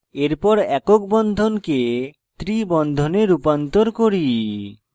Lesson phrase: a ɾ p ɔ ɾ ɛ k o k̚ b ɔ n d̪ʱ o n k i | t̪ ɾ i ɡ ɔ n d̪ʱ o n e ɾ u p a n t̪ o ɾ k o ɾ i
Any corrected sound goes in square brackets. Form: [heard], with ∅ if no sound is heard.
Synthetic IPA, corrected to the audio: [e] ɾ p ɔ ɾ ɛ k o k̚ b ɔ n d̪ʱ o n k [e] | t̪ ɾ i [b] ɔ n d̪ʱ o n e ɾ u p a n t̪ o ɾ k o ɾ i